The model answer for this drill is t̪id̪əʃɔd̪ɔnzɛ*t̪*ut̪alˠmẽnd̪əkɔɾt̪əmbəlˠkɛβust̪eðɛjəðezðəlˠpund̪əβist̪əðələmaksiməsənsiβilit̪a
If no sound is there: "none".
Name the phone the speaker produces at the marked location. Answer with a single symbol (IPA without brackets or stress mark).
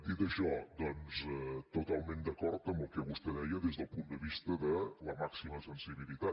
t̪